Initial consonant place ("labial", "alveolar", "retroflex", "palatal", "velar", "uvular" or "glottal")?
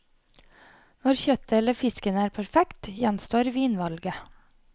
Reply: alveolar